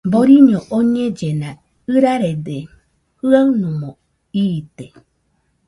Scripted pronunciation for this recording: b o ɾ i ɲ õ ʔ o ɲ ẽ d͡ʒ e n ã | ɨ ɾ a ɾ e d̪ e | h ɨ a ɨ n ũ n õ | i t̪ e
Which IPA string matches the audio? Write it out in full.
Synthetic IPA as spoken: b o ɾ i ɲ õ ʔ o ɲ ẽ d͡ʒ e n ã | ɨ ɾ a ɾ e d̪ e | h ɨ a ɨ n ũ m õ | i t̪ e

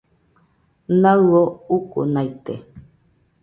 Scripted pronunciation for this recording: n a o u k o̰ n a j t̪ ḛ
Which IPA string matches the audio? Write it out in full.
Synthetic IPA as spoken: n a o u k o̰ n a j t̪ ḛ

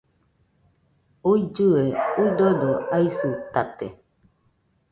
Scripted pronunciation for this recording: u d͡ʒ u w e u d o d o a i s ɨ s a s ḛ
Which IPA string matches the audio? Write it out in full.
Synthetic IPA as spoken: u d͡ʒ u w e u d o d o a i s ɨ t a t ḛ

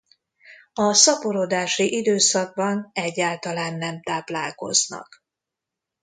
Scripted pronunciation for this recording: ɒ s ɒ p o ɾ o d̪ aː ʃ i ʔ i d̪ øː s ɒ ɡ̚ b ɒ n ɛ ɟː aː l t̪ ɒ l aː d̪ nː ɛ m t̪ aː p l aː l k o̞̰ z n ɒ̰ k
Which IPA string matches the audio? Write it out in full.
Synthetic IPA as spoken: ɒ s ɒ p o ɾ o d̪ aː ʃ i ʔ i d̪ øː s ɒ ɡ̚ b ɒ n ɛ ɟː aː l t̪ ɒ l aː nː ɛ m t̪ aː p l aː l k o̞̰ z n ɒ̰ k

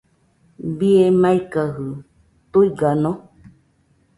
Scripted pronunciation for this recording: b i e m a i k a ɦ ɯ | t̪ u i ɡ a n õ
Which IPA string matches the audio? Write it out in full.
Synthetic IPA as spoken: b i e m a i k a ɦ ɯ | t̪ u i ɡ a n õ

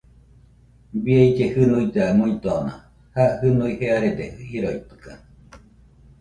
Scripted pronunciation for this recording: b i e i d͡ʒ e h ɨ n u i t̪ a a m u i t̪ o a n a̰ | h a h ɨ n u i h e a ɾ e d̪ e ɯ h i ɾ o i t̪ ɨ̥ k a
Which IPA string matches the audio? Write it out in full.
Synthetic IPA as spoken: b i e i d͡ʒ e h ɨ n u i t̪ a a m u i t̪ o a n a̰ | h a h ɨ n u i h e a ɾ e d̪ e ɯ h i ɾ o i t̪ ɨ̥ k a

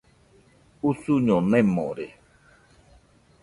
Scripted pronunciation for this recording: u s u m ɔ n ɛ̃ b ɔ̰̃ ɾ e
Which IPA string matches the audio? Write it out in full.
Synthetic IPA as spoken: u s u ɲ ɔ n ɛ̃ m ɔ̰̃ ɾ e

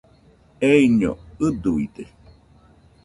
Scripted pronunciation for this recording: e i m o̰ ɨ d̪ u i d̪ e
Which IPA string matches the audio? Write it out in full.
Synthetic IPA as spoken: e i ɲ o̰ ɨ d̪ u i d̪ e

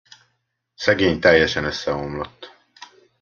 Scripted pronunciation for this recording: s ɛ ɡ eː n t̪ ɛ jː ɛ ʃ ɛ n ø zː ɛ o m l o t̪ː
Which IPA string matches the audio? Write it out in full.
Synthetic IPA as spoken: s ɛ ɡ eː ɲ t̪ ɛ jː ɛ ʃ ɛ n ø sː ɛ o m l o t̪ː

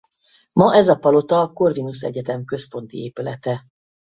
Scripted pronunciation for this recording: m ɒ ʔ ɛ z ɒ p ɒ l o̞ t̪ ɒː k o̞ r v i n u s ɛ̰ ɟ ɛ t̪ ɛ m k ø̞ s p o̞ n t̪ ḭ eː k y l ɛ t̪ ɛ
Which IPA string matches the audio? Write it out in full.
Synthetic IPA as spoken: m ɒ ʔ ɛ z ɒ p ɒ l o̞ t̪ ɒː k o̞ r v i n u s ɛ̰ ɟ ɛ t̪ ɛ m k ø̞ s p o̞ n t̪ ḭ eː p y l ɛ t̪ ɛ

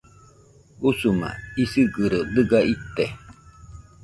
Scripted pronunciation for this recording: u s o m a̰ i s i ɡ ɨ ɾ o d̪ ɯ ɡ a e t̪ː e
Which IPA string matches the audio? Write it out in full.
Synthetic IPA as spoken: u s u m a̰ i s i ɡ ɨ ɾ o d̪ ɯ ɡ a i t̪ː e

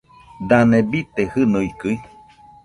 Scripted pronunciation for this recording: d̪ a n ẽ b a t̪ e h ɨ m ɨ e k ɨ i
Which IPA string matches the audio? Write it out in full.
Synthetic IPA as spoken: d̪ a n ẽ b i t̪ e h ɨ n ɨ i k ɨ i

